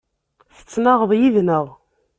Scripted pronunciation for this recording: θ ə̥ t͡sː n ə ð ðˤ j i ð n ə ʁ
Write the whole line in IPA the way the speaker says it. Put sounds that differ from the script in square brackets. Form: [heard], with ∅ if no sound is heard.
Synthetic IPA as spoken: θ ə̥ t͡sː n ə [ʁ] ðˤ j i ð n ə ʁ